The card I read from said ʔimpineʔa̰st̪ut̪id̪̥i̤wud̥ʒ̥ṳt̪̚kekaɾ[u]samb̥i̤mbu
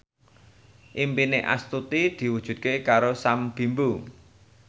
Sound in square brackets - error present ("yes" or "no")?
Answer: yes